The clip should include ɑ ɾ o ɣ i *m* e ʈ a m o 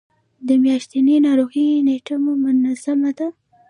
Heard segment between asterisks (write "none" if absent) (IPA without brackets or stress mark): n